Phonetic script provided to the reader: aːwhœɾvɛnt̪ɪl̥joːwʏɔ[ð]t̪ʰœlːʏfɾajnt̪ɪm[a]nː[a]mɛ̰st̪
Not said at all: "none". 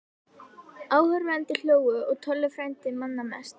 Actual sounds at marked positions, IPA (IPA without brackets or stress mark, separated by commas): ɣ, a, a